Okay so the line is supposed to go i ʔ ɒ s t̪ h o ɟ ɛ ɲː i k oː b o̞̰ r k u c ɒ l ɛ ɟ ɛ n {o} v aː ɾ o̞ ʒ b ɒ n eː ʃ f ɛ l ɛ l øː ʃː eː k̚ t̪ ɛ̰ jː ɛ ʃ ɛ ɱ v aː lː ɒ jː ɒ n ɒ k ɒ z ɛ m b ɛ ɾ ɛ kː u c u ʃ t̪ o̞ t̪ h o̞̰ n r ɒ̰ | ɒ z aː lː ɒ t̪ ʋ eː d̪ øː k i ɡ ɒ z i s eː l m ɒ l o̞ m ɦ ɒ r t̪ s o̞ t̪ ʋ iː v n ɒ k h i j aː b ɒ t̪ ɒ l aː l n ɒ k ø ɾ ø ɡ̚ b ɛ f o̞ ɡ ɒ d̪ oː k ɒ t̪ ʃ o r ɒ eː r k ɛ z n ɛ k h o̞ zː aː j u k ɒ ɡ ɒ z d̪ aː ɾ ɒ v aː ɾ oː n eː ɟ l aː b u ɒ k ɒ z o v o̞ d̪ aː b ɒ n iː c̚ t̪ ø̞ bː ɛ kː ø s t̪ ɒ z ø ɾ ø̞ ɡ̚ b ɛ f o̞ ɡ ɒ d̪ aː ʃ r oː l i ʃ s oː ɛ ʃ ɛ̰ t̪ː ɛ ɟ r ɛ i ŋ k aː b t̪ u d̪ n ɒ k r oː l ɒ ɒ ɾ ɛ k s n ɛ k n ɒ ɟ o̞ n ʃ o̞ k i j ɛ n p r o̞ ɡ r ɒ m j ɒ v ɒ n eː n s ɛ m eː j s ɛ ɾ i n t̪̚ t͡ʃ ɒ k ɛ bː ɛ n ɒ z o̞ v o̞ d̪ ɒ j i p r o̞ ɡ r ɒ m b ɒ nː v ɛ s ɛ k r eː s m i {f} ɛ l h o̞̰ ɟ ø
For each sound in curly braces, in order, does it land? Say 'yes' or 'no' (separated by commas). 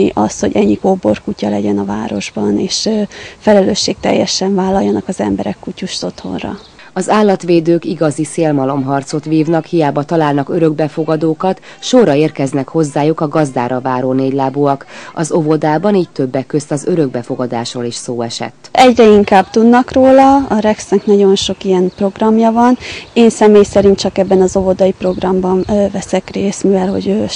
no, no